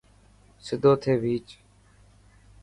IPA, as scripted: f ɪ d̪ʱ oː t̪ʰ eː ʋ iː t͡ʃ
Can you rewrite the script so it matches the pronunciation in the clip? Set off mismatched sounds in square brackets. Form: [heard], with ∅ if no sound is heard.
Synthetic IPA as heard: [s] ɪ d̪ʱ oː t̪ʰ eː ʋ iː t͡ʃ